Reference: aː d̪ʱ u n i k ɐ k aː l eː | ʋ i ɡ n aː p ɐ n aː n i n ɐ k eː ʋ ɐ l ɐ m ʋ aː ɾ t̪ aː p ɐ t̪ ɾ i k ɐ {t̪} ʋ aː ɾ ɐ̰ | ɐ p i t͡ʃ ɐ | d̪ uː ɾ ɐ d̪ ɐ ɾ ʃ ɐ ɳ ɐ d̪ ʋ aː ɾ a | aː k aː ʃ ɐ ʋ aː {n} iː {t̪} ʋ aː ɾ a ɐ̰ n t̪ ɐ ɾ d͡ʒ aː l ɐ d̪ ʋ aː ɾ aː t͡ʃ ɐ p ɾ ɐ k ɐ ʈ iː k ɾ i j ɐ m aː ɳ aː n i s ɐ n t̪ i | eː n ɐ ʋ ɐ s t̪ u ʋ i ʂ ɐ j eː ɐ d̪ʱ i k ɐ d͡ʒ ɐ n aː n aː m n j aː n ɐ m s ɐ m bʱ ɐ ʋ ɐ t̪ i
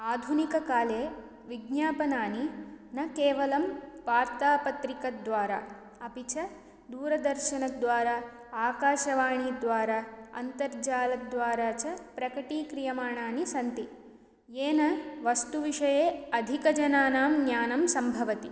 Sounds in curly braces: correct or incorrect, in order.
incorrect, incorrect, incorrect

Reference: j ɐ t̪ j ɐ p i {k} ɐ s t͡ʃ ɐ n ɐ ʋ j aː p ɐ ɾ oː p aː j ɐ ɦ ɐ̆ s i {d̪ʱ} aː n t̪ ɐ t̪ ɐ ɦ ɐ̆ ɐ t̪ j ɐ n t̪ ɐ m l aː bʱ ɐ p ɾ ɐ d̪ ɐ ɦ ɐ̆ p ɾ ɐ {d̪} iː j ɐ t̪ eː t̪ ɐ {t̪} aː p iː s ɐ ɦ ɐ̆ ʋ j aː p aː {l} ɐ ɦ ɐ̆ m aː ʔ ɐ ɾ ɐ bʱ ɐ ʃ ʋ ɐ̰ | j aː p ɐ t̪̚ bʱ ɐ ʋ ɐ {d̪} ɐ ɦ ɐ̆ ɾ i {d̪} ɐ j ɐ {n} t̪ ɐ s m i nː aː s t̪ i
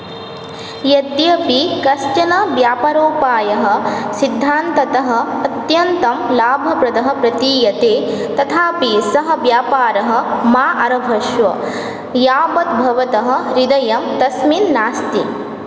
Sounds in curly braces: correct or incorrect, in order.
correct, incorrect, incorrect, incorrect, incorrect, incorrect, correct, incorrect

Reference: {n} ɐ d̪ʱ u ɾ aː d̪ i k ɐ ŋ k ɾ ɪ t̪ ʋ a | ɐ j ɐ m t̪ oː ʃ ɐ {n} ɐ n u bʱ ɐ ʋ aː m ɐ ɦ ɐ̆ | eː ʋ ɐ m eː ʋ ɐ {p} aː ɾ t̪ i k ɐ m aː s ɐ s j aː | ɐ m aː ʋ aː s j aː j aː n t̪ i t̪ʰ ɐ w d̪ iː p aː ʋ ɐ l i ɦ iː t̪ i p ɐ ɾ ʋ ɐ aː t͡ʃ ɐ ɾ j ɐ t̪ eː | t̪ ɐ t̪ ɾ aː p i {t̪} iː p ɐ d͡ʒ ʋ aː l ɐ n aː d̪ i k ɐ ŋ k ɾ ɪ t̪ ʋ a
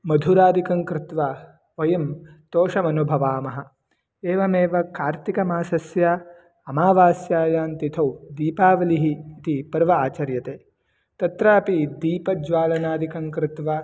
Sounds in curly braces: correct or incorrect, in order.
incorrect, incorrect, incorrect, incorrect

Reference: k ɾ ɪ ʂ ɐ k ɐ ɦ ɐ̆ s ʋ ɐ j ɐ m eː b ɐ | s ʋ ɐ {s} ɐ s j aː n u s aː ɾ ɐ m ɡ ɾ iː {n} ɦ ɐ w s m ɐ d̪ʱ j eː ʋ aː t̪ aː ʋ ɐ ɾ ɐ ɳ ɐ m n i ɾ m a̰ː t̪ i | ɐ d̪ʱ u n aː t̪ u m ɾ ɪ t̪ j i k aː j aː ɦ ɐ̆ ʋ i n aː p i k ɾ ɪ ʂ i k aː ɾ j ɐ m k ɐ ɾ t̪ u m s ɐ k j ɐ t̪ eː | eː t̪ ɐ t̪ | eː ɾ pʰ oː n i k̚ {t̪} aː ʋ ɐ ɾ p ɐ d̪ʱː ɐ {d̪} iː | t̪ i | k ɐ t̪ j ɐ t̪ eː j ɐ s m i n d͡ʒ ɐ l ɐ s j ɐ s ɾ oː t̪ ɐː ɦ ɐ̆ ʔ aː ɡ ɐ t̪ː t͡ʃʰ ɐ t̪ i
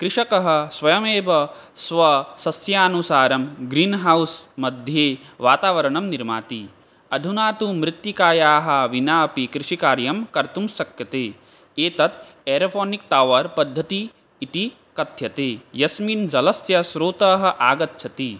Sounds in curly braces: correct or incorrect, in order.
correct, correct, correct, incorrect

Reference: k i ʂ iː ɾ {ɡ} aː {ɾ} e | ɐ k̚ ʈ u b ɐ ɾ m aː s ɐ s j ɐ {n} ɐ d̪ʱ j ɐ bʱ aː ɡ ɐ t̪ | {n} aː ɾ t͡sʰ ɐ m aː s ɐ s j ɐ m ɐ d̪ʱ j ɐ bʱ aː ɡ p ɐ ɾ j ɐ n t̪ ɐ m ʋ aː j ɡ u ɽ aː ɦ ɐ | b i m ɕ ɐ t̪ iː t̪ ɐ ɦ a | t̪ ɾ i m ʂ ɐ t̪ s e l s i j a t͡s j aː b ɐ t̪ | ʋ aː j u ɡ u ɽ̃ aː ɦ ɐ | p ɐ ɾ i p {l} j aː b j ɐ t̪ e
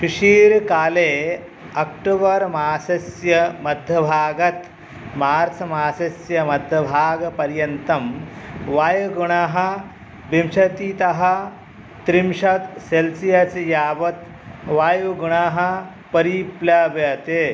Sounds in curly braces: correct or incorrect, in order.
incorrect, incorrect, incorrect, incorrect, correct

